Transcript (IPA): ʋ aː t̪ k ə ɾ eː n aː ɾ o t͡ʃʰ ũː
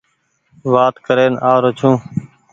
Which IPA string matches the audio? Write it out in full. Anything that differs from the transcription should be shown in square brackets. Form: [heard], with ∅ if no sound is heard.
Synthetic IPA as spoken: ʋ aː t̪ k ə ɾ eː n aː ɾ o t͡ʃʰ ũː